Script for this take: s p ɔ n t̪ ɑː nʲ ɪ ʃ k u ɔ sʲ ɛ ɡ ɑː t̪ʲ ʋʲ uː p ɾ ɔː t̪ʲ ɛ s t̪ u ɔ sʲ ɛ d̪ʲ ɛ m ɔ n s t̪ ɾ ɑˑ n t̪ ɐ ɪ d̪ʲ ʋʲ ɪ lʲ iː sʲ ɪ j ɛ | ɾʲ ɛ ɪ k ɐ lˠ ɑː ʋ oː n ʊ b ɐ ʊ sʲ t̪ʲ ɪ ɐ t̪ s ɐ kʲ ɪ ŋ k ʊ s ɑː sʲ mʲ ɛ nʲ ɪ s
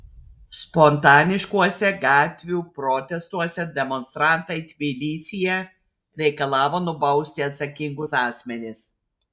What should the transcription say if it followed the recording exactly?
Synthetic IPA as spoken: s p ɔ n t̪ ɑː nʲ ɪ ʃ k u ɔ sʲ ɛ ɡ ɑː t̪ʲ ʋʲ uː p ɾ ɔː t̪ʲ ɛ s t̪ u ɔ sʲ ɛ d̪ʲ ɛ m ɔ n s t̪ ɾ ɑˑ n t̪ ɐ ɪ t̪ʲ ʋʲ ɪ lʲ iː sʲ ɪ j ɛ | ɾʲ ɛ ɪ k ɐ lˠ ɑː ʋ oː n ʊ b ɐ ʊ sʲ t̪ʲ ɪ ɐ t̪ s ɐ kʲ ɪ ŋ ɡ ʊ s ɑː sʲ mʲ ɛ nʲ ɪ s